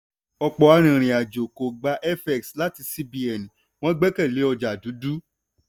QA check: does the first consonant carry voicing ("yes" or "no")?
no